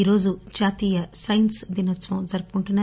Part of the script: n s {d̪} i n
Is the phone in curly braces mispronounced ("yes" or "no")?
no